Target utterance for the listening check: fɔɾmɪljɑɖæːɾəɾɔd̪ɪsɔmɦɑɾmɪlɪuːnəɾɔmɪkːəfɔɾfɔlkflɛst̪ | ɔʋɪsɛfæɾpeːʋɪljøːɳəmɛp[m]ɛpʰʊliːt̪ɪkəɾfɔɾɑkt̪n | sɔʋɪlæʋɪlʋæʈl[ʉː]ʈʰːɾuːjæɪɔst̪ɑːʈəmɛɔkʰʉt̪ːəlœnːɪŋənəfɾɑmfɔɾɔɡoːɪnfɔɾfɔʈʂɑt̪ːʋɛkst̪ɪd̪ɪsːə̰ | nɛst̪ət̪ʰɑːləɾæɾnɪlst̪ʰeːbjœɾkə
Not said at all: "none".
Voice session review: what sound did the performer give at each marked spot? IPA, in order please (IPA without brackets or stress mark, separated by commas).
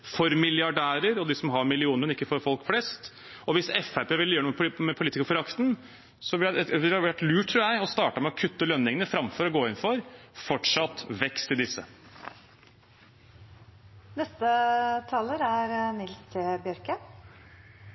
m, ʉː